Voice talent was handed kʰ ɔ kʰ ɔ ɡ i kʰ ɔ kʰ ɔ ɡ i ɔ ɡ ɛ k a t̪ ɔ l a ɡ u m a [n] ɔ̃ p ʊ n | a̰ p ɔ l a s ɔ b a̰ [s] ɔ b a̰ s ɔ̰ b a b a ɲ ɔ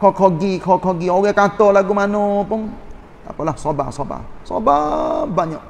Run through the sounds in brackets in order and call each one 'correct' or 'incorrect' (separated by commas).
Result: correct, correct